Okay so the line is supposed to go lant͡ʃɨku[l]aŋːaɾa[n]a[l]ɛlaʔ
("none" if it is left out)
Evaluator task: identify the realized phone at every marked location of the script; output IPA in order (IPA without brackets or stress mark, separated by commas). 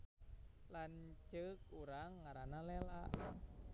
ɾ, n, l